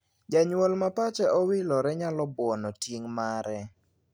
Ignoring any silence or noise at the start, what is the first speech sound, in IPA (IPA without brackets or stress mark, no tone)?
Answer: d͡ʒ